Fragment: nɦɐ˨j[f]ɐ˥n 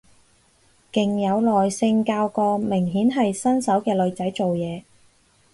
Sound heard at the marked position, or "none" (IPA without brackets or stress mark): s